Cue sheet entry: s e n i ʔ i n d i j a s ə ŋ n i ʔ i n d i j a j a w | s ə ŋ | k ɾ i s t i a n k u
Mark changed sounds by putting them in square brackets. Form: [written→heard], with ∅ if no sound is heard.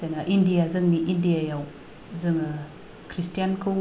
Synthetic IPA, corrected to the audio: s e n [i→a] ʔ i n d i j a [s→z] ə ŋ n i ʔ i n d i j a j a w | [s→z] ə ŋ | k ɾ i s t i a n k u